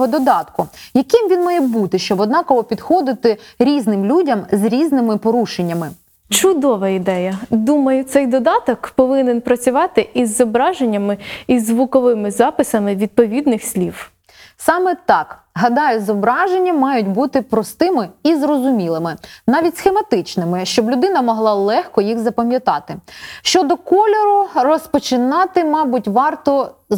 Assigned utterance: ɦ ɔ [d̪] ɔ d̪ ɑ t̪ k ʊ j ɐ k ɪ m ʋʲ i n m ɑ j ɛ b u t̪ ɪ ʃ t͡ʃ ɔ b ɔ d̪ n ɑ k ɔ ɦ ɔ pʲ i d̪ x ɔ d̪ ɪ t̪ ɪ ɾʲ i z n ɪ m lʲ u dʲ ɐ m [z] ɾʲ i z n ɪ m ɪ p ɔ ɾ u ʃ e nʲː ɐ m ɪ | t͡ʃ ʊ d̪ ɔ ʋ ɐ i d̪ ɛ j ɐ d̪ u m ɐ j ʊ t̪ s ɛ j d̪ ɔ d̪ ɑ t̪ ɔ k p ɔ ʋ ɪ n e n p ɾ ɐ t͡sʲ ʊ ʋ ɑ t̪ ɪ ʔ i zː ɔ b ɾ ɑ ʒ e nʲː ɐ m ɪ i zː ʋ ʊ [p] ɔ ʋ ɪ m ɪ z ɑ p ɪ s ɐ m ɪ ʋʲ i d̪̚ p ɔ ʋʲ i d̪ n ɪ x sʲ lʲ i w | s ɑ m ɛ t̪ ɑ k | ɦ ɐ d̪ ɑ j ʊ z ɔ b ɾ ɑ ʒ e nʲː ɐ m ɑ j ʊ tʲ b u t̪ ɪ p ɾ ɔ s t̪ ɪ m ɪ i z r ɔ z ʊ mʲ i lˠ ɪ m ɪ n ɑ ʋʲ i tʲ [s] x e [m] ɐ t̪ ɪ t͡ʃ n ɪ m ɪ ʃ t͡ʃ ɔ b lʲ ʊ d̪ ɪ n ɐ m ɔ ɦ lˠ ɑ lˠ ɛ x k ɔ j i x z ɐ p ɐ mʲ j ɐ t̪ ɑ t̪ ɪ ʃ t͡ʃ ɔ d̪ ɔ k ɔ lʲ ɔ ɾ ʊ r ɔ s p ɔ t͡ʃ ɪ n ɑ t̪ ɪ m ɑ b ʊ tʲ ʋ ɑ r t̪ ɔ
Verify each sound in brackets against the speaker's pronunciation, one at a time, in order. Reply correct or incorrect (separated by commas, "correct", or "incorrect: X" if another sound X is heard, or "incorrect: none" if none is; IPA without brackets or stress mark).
correct, correct, incorrect: k, correct, correct